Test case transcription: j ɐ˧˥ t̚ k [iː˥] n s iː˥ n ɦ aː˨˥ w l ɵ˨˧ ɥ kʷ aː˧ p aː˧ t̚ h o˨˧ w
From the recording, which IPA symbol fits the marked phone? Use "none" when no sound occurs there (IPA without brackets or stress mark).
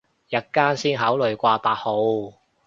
aː˥